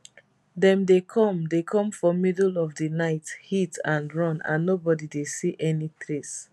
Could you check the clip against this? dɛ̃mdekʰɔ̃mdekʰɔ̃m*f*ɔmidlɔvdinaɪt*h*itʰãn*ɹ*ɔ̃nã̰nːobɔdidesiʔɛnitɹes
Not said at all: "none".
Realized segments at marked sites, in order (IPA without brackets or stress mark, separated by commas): f, h, ɹ